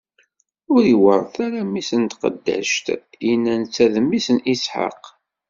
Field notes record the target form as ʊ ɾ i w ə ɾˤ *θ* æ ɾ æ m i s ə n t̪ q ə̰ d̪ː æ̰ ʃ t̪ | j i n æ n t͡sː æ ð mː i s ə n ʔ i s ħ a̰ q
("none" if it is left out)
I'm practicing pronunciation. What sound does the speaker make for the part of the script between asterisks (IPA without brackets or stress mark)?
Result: θ